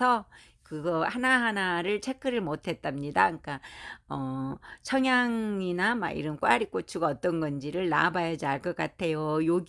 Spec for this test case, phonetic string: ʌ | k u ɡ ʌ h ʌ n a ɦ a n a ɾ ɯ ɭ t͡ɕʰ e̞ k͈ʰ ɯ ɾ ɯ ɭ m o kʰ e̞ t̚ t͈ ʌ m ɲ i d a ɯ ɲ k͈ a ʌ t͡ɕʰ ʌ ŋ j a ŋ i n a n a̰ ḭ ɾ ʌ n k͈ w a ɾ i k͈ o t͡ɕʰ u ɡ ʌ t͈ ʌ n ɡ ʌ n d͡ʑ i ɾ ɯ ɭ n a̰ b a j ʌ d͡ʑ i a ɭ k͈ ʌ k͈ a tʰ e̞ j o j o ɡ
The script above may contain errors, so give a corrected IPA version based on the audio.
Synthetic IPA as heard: ʌ | k ɯ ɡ ʌ h a n a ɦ a n a ɾ ɯ ɭ t͡ɕʰ e̞ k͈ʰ ɯ ɾ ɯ ɭ m o tʰ e̞ t̚ t͈ a m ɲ i d a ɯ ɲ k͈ a ʌ t͡ɕʰ ʌ ŋ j a ŋ i n a m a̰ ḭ ɾ ʌ n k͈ w a ɾ i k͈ o t͡ɕʰ u ɡ ʌ t͈ ʌ n ɡ ʌ n d͡ʑ i ɾ ɯ ɭ n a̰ b a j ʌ d͡ʑ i a ɭ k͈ ʌ k͈ a tʰ e̞ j o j o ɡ